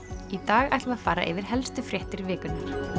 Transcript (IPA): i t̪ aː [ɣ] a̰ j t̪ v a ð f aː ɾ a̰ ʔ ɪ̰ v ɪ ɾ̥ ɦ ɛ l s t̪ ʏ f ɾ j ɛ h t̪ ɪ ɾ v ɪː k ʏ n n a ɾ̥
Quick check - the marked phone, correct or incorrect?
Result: correct